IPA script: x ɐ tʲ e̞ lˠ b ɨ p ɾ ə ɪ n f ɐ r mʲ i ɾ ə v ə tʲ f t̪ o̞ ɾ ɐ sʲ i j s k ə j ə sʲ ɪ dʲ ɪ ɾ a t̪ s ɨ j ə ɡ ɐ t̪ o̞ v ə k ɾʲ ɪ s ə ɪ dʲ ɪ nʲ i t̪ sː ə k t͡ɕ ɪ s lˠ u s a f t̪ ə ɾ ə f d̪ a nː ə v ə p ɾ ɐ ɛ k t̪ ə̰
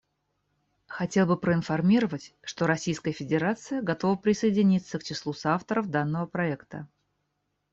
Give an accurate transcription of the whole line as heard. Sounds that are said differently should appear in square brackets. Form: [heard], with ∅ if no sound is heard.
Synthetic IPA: x ɐ tʲ e̞ lˠ b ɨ p ɾ ə ɪ n f ɐ r mʲ i ɾ ə v ə tʲ [ʂ] t̪ o̞ ɾ ɐ sʲ i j s k ə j ə [fʲ] ɪ dʲ ɪ ɾ a t̪ s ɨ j ə ɡ ɐ t̪ o̞ v ə [p] ɾʲ ɪ s ə ɪ dʲ ɪ nʲ i t̪ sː ə k t͡ɕ ɪ s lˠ u s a f t̪ ə ɾ ə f d̪ a nː ə v ə p ɾ ɐ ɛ k t̪ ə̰